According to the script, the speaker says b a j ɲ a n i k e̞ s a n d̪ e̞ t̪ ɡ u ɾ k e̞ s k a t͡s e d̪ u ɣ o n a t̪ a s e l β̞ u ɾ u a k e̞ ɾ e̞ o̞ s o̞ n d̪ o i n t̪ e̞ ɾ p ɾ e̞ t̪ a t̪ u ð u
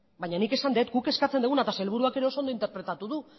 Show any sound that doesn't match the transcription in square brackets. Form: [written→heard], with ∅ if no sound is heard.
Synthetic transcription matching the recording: b a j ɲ a n i k e̞ s a n d̪ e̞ t̪ ɡ u [ɾ→∅] k e̞ s k a t͡s e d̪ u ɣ [o→u] n a t̪ a s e l β̞ u ɾ u a k e̞ ɾ e̞ o̞ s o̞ n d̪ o i n t̪ e̞ ɾ p ɾ e̞ t̪ a t̪ u ð u